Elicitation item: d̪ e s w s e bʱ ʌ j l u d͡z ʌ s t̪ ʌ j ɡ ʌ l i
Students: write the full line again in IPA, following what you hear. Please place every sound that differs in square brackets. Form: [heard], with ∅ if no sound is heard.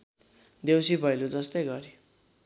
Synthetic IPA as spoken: d̪ e [∅] w s [i] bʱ ʌ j l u d͡z ʌ s t̪ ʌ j ɡ ʌ [ɾ] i